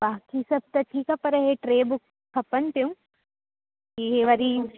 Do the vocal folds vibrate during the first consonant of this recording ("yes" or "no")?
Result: yes